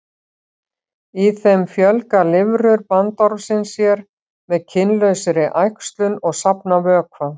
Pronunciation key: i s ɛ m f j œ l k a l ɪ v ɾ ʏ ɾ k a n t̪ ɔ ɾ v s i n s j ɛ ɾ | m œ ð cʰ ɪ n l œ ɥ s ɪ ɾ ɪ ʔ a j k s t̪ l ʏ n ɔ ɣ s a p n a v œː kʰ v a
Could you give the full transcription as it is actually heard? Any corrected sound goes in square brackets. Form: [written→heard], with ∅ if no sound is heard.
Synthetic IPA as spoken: i [s→θ] ɛ m f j œ l k a l ɪ v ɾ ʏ ɾ [k→p] a n t̪ ɔ ɾ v s [i→ɪ] n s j ɛ ɾ | m [œ→ɛ] ð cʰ ɪ n l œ ɥ s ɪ ɾ ɪ ʔ a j k s t̪ l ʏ n ɔ ɣ s a p n a v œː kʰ v a